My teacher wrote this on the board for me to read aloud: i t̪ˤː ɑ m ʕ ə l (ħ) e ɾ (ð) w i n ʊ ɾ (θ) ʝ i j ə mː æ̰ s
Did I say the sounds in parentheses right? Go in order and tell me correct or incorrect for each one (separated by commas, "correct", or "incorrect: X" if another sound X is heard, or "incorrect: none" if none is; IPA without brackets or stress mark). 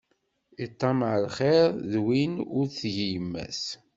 incorrect: χ, correct, correct